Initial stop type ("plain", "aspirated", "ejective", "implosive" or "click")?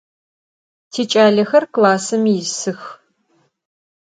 aspirated